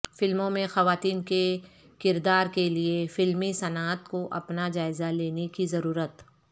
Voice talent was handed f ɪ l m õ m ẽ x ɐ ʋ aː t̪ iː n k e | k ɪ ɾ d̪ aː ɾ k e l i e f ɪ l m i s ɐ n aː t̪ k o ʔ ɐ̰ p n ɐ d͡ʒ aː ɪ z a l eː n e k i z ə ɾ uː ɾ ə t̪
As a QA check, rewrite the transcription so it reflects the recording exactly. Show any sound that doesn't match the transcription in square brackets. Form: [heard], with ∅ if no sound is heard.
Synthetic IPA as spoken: f ɪ l m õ m ẽ x ɐ ʋ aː t̪ iː n k e | k ɪ ɾ d̪ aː ɾ k e l i e f ɪ l m i s ɐ n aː t̪ k o ʔ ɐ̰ p n [a] d͡ʒ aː ɪ z a l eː n e k i z [ɐ] ɾ uː ɾ ə t̪